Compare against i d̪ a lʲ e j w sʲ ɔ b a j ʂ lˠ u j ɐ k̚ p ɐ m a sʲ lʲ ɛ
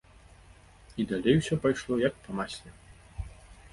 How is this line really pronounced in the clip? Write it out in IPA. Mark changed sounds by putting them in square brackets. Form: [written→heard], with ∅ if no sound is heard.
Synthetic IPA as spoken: i d̪ a lʲ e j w sʲ ɔ [b→p] a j ʂ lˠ [u→ɔ] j ɐ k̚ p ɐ m a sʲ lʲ ɛ